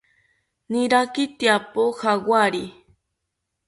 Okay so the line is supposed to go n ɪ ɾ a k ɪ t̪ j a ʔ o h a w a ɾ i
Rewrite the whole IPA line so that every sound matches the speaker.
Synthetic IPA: n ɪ ɾ a k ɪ t̪ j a p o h a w a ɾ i